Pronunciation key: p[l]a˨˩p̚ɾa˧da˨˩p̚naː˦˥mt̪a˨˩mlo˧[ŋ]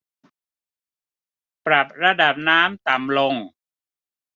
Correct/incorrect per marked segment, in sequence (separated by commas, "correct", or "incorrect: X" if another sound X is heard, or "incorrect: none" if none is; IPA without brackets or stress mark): incorrect: ɾ, correct